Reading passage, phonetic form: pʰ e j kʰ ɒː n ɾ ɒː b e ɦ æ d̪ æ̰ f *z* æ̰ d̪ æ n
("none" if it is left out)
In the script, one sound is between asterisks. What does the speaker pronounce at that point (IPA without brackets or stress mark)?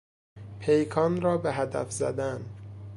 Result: z